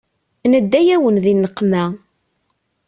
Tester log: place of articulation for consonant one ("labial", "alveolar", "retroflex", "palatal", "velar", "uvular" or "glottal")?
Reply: alveolar